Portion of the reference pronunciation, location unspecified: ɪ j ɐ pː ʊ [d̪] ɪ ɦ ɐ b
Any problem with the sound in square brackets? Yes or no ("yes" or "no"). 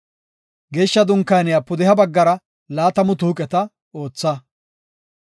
no